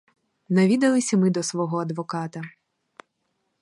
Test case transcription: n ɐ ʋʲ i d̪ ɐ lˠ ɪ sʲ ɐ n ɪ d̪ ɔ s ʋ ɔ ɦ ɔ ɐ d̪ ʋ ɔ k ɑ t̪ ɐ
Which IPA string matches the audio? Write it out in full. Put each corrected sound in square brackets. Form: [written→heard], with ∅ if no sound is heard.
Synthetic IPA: n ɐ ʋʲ i d̪ ɐ lˠ ɪ sʲ ɐ [n→m] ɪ d̪ ɔ s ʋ ɔ ɦ ɔ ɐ d̪ ʋ ɔ k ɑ t̪ ɐ

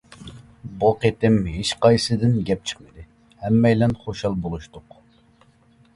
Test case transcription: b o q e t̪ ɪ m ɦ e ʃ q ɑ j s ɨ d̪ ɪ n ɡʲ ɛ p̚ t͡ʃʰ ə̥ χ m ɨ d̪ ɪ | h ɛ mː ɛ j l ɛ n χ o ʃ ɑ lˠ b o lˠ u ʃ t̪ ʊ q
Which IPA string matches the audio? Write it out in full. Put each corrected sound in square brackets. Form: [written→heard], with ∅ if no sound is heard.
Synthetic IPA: b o q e t̪ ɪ m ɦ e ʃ q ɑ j s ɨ d̪ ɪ n ɡʲ ɛ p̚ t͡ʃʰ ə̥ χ m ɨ d̪ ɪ | h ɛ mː ɛ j l ɛ n χ o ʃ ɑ lˠ b o lˠ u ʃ t̪ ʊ q

